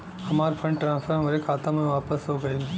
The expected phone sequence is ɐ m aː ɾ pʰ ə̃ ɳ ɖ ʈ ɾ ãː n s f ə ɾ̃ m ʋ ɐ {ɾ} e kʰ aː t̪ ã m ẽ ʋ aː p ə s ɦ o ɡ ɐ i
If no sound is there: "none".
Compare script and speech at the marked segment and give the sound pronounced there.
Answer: ɾ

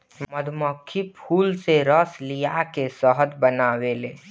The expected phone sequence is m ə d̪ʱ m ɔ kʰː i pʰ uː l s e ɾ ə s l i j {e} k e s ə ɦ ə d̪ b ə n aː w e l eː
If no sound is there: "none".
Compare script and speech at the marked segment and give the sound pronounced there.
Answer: a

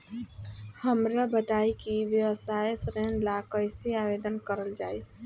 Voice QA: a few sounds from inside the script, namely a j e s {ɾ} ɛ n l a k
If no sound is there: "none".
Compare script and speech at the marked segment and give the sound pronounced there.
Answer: ɾ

